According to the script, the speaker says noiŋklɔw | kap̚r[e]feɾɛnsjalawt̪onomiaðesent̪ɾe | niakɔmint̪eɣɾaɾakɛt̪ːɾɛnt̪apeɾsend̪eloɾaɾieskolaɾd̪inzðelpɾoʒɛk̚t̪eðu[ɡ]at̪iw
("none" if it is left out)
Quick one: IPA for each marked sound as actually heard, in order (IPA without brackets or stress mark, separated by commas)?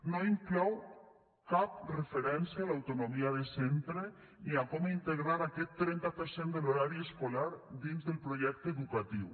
e, k